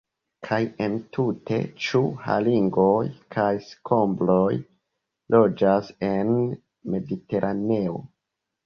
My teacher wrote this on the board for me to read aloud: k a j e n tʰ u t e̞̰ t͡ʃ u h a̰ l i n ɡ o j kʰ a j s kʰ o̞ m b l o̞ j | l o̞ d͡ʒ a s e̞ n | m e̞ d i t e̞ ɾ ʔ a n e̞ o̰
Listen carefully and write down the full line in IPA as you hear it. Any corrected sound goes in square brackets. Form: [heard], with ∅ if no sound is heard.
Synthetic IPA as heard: [kʰ] a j e n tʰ u t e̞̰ t͡ʃ u h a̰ l i [ŋ] ɡ o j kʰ a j s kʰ o̞ m b l o̞ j | l o̞ d͡ʒ a s e̞ n | m e̞ d i t e̞ ɾ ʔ a n e̞ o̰

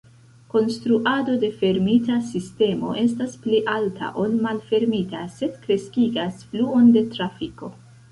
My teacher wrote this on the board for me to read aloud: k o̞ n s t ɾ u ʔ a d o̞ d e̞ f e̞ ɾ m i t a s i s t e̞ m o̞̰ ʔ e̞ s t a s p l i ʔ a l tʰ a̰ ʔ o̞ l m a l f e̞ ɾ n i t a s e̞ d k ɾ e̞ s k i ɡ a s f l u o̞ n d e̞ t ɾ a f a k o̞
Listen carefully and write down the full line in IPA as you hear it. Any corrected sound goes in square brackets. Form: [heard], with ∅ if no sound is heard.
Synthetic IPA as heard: k o̞ n s t ɾ u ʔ a d o̞ d e̞ f e̞ ɾ m i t a s i s t e̞ m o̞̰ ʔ e̞ s t a s p l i ʔ a l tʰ a̰ ʔ o̞ l m a l f e̞ ɾ [m] i t a s e̞ d k ɾ e̞ s k i ɡ a s f l u o̞ n d e̞ t ɾ a f [i] k o̞

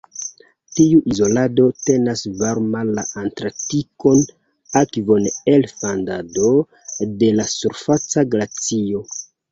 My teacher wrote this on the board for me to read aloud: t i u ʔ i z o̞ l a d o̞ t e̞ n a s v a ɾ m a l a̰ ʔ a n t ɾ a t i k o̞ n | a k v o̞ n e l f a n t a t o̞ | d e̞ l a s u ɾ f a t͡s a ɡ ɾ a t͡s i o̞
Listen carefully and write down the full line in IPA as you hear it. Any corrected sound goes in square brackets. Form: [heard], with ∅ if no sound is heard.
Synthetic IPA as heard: t i u ʔ i z o̞ l a d o̞ t e̞ n a s v a ɾ m a l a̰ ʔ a n t ɾ a t i k o̞ n | a k v o̞ n e l f a n [d] a [d] o̞ | d e̞ l a s u ɾ f a t͡s a ɡ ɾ a t͡s i o̞

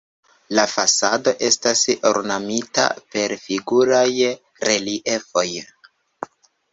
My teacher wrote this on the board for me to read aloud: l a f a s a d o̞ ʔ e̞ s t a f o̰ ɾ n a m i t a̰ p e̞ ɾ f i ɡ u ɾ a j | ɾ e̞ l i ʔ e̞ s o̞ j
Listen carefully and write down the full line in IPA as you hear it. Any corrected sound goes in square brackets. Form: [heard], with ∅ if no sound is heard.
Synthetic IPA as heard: l a f a s a d o̞ ʔ e̞ s t a [s] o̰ ɾ n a m i t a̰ p e̞ ɾ f i ɡ u ɾ a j | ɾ e̞ l i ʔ e̞ [f] o̞ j

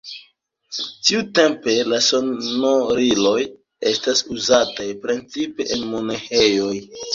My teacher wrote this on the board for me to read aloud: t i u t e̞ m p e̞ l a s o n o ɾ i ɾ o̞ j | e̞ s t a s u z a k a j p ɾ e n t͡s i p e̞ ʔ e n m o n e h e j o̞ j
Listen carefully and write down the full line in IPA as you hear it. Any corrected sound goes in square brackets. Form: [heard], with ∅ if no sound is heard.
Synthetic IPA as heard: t i u t e̞ m p e̞ l a s o n o ɾ i [l] o̞ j | e̞ s t a s u z a [t] a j p ɾ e n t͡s i p e̞ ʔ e n m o n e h e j o̞ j

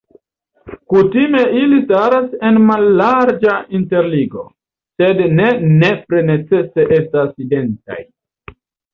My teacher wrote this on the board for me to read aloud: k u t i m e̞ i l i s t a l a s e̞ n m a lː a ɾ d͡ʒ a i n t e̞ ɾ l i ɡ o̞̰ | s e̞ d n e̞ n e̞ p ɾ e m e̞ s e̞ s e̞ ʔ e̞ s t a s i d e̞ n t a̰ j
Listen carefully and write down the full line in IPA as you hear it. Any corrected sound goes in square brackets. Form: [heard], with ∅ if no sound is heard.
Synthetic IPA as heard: k u t i m e̞ i l i s t a [ɾ] a s e̞ n m a lː a ɾ d͡ʒ a i n t e̞ ɾ l i ɡ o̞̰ | s e̞ d n e̞ n e̞ p ɾ e [n] e̞ [t͡s] e̞ s e̞ ʔ e̞ s t a s i d e̞ n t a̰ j

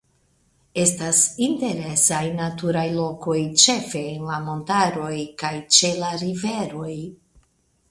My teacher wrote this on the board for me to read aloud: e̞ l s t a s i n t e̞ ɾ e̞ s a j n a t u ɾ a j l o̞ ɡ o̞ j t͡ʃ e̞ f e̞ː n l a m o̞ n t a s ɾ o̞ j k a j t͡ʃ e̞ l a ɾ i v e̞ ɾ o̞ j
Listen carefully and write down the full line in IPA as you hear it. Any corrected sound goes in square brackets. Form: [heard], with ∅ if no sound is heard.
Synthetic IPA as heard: e̞ [∅] s t a s i n t e̞ ɾ e̞ s a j n a t u ɾ a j l o̞ [k] o̞ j t͡ʃ e̞ f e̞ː n l a m o̞ n t a [∅] ɾ o̞ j k a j t͡ʃ e̞ l a ɾ i v e̞ ɾ o̞ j

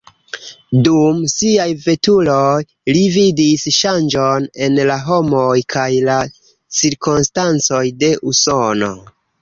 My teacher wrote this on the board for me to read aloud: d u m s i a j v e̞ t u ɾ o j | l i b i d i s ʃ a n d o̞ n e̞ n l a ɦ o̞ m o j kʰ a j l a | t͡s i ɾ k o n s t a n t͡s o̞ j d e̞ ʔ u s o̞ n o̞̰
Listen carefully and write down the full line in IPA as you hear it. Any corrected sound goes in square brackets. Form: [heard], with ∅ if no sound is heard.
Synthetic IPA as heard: d u m s i a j v e̞ t u [l] o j | l i [v] i d i s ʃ a n [d͡ʒ] o̞ n e̞ n l a ɦ o̞ m o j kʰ a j l a | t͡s i ɾ k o n s t a n t͡s o̞ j d e̞ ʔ u s o̞ n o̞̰

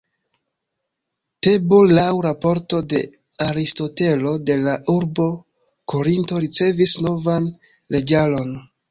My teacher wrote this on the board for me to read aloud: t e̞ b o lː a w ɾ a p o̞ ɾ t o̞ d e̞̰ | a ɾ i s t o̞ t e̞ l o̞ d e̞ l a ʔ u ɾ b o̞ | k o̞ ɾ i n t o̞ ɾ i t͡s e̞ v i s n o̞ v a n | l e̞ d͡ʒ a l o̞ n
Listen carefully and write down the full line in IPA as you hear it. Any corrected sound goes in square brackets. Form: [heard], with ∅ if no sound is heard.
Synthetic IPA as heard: t e̞ b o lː a w ɾ a p o̞ ɾ t o̞ d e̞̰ | a ɾ i s t o̞ t e̞ l o̞ d e̞ l a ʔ u ɾ b o̞ | k o̞ ɾ i n t o̞ ɾ i t͡s e̞ v i s n o̞ v a n | l e̞ d͡ʒ a l o̞ n

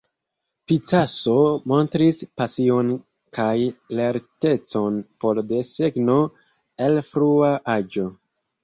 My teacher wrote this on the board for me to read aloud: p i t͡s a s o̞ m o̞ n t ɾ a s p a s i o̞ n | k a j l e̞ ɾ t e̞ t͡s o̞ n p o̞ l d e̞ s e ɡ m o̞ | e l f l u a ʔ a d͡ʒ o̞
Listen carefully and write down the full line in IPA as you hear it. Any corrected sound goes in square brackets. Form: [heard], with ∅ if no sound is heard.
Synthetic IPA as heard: p i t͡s a s o̞ m o̞ n t ɾ [i] s p a s i o̞ n | k a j l e̞ ɾ t e̞ t͡s o̞ n p o̞ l d e̞ s e ɡ [n] o̞ | e l f [ɾ] u a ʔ a d͡ʒ o̞

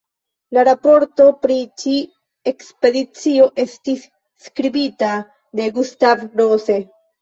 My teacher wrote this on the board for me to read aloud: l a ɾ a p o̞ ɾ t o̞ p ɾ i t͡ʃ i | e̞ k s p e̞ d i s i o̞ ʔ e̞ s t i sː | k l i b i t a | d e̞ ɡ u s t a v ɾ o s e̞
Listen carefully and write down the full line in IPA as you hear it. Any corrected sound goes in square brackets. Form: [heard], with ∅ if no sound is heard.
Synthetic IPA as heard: l a ɾ a p o̞ ɾ t o̞ p ɾ i t͡ʃ i | e̞ k s p e̞ d i [t͡s] i o̞ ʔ e̞ s t i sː | k [ɾ] i b i t a | d e̞ ɡ u s t a v ɾ o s e̞

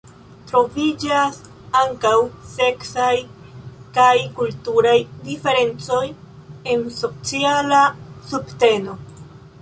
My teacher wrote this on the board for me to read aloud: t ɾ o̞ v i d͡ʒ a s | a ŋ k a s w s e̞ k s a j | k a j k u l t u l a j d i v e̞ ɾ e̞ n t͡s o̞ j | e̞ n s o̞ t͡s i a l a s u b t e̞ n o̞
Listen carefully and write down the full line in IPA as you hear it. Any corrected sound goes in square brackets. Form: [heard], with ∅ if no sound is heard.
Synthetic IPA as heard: t ɾ o̞ v i d͡ʒ a s | a ŋ k a [∅] w s e̞ k s a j | k a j k u l t u [ɾ] a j d i [f] e̞ ɾ e̞ n t͡s o̞ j | e̞ n s o̞ t͡s i a l a s u b t e̞ n o̞

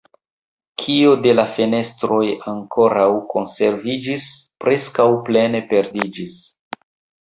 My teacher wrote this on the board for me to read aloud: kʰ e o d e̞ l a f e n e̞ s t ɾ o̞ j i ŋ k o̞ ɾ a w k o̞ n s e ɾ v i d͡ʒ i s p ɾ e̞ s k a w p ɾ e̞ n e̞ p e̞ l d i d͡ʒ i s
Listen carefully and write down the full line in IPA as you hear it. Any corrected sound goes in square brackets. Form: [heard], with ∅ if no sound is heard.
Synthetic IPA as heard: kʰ [i] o d e̞ l a f e n e̞ s t ɾ o̞ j [a] ŋ k o̞ ɾ a w k o̞ n s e ɾ v i d͡ʒ i s p ɾ e̞ s k a w p [l] e̞ n e̞ p e̞ [ɾ] d i d͡ʒ i s

